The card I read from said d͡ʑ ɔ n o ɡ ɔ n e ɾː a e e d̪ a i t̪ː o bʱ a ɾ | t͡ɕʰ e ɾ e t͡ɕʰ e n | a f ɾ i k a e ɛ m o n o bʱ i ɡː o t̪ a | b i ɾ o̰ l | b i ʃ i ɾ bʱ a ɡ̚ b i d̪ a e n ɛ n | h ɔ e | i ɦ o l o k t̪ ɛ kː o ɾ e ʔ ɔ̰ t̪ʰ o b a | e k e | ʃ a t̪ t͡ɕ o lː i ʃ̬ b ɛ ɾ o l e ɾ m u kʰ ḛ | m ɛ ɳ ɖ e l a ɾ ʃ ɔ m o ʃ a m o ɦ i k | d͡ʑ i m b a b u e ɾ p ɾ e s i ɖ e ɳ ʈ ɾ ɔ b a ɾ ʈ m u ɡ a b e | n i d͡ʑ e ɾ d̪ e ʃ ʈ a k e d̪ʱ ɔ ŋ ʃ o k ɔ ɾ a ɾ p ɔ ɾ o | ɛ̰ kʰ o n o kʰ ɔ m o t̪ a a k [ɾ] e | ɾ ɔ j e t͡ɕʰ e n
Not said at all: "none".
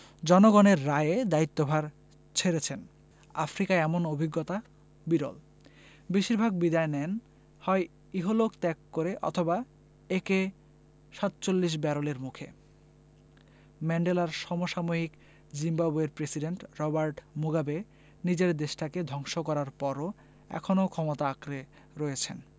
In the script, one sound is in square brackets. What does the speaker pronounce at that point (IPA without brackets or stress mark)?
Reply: ɾ